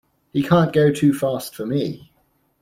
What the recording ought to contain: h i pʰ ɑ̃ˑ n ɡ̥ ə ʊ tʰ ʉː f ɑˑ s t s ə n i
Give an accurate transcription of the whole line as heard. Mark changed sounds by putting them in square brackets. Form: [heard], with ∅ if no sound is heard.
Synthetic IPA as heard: h i [kʰ] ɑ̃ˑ n ɡ̥ ə ʊ tʰ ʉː f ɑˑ s t [f] ə [m] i